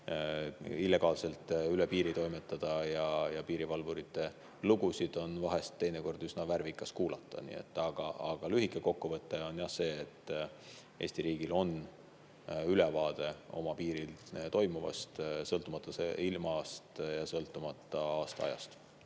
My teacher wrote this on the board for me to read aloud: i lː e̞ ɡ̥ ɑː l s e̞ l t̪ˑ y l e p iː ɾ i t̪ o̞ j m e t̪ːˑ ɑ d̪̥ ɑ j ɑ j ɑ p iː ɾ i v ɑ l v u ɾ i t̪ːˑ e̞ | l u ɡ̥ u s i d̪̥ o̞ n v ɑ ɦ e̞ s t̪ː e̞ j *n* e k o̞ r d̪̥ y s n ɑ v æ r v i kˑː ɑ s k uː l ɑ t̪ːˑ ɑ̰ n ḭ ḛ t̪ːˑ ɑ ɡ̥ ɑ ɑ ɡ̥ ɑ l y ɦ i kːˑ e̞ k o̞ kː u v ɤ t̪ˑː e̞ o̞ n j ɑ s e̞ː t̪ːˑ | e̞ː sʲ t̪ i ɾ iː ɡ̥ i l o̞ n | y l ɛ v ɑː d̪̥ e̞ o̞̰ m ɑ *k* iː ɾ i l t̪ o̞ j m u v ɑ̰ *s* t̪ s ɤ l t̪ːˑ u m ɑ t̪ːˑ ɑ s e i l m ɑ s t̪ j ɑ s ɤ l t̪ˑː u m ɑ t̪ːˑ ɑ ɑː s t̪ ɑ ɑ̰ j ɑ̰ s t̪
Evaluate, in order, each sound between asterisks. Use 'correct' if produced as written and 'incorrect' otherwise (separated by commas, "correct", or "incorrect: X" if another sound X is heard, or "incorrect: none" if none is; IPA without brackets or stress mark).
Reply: correct, incorrect: p, correct